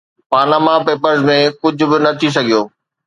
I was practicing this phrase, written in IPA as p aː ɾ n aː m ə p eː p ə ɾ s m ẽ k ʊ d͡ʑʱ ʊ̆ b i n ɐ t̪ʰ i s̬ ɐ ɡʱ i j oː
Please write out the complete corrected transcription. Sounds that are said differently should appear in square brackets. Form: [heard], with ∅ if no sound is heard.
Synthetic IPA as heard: p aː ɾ n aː m [a] p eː p ə ɾ [z] m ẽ k ʊ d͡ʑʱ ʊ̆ b [ɪ] n ɐ t̪ʰ i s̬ ɐ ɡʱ i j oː